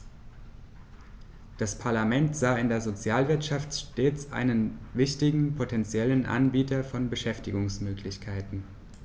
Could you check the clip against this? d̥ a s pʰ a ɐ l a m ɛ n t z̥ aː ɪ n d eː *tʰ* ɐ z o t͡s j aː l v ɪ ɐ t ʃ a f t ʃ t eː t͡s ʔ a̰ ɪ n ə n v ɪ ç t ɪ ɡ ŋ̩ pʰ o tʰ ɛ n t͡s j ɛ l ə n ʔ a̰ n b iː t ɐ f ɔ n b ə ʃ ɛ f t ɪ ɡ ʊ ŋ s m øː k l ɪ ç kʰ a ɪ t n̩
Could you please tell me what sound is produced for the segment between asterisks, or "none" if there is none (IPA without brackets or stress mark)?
none